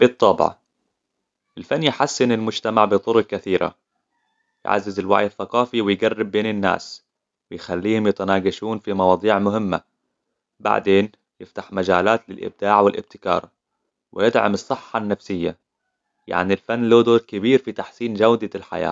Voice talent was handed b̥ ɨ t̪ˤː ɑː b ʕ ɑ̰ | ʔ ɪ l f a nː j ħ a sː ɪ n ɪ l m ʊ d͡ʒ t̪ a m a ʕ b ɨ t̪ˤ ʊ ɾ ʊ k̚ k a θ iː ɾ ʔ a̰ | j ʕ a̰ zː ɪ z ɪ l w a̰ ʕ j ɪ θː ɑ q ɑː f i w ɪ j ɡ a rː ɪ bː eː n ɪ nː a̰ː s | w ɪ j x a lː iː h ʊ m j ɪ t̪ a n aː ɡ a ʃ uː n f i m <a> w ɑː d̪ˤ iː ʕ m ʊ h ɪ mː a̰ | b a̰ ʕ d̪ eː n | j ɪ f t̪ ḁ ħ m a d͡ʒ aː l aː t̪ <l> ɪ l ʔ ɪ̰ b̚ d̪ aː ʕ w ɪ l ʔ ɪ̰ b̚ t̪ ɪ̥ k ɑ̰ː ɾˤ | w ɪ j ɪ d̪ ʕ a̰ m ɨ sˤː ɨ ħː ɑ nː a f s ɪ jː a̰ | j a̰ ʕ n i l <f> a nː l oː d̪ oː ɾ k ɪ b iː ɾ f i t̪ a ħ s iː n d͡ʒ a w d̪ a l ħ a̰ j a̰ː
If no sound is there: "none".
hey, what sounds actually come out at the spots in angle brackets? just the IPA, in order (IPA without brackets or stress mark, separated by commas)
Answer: ɑ, l, f